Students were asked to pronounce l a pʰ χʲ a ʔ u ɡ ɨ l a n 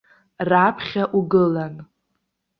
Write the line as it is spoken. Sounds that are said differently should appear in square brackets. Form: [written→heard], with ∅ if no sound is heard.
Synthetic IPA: [l→r] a pʰ χʲ a ʔ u ɡ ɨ l a n